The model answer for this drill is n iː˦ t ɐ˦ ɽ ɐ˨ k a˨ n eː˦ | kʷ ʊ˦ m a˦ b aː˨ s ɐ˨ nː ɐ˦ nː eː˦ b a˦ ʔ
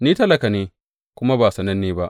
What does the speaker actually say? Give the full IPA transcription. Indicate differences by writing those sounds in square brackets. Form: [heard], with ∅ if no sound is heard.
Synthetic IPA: n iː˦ t ɐ˦ [l] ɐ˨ k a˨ n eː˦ | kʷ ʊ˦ m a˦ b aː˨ s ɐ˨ [n] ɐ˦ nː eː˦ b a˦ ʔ